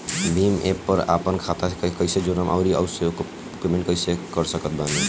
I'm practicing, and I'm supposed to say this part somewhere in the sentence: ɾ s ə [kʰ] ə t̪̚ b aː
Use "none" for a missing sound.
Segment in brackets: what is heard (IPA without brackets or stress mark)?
k